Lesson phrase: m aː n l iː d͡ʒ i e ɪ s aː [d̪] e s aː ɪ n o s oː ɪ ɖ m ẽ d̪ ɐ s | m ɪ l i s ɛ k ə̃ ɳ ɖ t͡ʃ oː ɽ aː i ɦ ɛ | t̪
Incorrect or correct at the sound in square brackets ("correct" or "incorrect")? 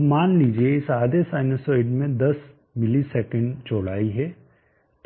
correct